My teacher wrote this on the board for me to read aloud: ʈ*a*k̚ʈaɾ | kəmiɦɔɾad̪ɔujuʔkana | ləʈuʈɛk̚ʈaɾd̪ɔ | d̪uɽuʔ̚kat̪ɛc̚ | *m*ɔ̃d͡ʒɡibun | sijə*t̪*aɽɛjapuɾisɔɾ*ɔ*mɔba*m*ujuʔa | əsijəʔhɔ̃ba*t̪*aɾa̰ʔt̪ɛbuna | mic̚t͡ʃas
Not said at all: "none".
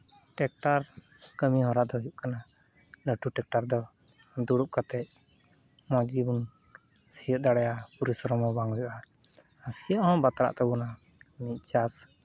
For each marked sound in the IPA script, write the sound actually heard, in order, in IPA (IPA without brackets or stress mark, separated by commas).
ɛ, m, d̪, ɔ, ŋ, t̪